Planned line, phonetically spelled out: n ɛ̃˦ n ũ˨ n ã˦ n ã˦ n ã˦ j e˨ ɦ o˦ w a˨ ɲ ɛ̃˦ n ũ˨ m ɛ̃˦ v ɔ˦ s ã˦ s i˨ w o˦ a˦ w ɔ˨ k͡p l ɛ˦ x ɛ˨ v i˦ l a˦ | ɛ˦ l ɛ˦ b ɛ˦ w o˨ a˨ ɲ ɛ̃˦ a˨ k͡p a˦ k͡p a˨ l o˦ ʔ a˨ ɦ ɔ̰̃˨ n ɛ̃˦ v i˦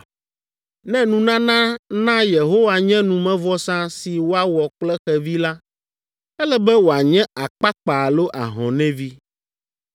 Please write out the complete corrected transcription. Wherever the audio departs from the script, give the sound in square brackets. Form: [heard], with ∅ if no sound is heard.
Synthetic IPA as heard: n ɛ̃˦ n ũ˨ n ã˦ n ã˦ n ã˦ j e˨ ɦ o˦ w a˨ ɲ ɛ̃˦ n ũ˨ m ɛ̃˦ v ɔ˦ s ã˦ s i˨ w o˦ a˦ w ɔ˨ k͡p l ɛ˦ x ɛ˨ v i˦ l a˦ | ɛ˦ l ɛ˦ b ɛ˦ w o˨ a˨ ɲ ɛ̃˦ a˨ k͡p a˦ k͡p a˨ l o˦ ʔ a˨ ɦ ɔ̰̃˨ n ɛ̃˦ v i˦

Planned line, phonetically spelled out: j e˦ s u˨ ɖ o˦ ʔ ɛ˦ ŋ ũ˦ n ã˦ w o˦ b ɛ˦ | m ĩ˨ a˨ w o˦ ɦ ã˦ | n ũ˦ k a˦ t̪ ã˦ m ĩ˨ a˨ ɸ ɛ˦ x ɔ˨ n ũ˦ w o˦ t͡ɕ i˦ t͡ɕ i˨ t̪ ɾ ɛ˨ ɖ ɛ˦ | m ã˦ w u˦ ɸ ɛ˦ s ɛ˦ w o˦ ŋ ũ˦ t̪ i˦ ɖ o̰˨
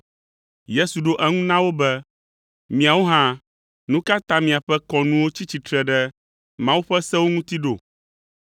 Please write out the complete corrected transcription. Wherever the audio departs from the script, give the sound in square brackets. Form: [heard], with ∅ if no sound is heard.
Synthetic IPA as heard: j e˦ s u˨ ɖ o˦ ʔ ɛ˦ ŋ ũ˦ n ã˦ w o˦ b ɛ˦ | m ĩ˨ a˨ w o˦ ɦ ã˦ | n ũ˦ k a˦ t̪ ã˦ m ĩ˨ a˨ ɸ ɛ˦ [k] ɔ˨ n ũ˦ w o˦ t͡ɕ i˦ t͡ɕ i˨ t̪ ɾ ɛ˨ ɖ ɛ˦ | m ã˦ w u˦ ɸ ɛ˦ s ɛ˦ w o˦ ŋ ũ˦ t̪ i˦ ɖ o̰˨

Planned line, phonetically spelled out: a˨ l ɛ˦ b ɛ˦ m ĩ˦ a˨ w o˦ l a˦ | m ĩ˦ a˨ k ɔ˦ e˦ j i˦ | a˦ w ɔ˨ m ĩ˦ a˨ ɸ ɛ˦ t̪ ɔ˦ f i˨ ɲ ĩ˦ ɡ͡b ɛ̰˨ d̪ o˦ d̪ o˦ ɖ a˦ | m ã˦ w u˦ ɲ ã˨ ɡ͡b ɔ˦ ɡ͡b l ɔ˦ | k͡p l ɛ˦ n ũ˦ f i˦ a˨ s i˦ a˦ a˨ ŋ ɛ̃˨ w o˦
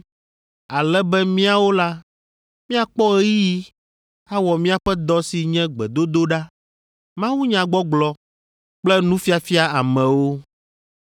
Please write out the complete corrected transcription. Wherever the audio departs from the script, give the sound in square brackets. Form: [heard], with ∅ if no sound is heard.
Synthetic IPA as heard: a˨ l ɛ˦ b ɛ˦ m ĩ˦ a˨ w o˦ l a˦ | m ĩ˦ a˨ [k͡p] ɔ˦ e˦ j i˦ | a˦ w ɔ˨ m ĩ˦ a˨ ɸ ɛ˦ [d̪] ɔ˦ [s] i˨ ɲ [ɛ̃˦] ɡ͡b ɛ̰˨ d̪ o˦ d̪ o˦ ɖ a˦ | m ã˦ w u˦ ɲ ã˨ ɡ͡b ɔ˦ ɡ͡b l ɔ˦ | k͡p l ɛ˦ n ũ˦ f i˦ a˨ [f] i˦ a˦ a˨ [m] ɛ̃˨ w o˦

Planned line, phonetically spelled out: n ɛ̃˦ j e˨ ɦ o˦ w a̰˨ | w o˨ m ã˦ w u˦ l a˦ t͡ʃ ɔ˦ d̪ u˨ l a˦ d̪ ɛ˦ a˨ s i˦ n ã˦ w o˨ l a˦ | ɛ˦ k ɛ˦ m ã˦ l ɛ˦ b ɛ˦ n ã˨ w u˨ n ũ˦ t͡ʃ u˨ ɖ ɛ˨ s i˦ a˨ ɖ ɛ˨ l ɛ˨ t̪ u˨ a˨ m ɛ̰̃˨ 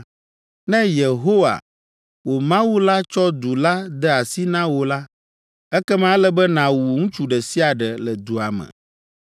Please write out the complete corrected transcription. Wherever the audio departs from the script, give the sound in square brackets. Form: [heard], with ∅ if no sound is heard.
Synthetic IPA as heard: n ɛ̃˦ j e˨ ɦ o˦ w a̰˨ | w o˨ m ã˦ w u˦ l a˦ t͡ʃ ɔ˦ d̪ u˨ l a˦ d̪ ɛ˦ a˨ s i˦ n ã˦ w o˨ l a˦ | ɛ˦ k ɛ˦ m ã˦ l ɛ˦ b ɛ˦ n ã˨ w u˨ [ŋ] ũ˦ t͡ʃ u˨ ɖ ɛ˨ s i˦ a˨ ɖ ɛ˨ l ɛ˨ [d̪] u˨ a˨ m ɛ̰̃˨

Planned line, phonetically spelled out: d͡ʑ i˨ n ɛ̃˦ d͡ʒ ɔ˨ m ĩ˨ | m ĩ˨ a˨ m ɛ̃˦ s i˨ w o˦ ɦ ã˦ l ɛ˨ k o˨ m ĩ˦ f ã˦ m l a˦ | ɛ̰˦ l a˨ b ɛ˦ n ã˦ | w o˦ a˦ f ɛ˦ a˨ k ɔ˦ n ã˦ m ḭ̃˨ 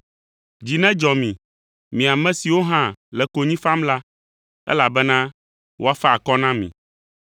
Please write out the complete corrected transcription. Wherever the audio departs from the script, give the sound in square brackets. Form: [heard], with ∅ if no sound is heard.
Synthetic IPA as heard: d͡ʑ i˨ n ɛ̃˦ d͡ʒ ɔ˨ m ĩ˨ | m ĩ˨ a˨ m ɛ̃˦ s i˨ w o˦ ɦ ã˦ l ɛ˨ k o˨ [ɲ] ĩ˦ f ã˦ m l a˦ | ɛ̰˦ l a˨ b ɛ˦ n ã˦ | w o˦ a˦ f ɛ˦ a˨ k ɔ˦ n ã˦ m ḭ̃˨

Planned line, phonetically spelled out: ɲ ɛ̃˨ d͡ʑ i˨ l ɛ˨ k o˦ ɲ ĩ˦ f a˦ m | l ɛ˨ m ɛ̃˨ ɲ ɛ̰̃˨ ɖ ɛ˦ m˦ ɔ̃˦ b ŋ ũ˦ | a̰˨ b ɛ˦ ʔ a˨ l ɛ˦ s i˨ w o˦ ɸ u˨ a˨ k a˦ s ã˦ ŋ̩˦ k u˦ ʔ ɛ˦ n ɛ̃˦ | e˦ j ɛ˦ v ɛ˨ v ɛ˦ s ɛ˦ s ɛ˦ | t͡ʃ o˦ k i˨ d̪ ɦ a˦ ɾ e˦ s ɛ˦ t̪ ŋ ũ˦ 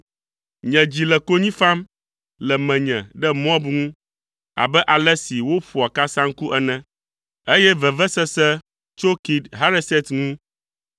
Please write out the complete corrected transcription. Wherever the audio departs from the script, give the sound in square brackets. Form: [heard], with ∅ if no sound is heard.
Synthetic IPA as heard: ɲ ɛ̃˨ d͡ʑ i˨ l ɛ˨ k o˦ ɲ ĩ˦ f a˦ m | l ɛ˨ m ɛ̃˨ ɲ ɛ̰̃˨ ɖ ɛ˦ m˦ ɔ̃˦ b ŋ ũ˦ | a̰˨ b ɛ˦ ʔ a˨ l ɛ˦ s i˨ w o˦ ɸ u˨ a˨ k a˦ s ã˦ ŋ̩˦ k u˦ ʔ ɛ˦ n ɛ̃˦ | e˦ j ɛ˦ v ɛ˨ v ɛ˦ s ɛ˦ s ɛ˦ | t͡ʃ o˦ k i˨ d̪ ɦ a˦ ɾ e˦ s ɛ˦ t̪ ŋ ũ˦

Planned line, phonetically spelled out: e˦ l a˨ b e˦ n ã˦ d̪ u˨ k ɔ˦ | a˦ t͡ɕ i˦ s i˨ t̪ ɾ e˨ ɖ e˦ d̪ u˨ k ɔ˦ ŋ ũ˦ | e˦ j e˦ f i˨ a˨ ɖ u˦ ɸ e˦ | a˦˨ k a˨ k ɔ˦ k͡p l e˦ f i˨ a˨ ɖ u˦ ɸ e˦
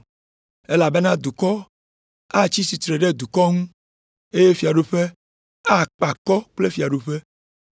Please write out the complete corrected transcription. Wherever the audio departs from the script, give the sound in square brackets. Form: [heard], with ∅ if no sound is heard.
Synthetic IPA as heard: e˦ l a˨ b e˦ n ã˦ d̪ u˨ k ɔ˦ | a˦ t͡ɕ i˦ s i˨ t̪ ɾ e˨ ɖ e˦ d̪ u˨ k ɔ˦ ŋ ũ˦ | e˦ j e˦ f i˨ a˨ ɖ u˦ ɸ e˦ | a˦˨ [k͡p] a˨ k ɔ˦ k͡p l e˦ f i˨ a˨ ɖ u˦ ɸ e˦

